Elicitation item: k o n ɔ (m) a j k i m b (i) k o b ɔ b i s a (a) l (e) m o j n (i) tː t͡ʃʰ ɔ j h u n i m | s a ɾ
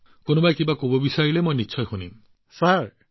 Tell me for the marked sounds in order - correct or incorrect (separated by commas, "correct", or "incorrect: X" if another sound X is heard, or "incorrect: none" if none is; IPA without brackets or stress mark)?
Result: incorrect: b, incorrect: a, incorrect: i, correct, correct